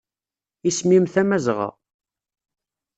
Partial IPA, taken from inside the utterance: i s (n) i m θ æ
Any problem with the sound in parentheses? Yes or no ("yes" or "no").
yes